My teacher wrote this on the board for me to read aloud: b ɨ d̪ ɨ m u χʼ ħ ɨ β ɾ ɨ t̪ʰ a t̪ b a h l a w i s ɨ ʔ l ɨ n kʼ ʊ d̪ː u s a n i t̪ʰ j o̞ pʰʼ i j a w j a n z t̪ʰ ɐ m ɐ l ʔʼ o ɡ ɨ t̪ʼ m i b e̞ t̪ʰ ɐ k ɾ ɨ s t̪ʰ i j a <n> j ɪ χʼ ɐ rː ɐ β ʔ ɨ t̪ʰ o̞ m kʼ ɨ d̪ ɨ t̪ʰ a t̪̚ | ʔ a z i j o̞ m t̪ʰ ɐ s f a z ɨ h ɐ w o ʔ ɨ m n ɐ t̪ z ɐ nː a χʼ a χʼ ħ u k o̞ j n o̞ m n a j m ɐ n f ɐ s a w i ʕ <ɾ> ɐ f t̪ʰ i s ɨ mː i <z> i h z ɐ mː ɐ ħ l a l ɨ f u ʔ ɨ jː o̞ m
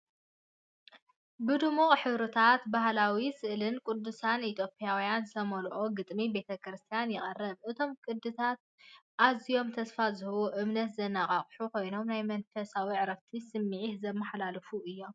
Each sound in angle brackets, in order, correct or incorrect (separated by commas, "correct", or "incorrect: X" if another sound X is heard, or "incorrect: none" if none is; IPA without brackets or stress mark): correct, correct, incorrect: ʕ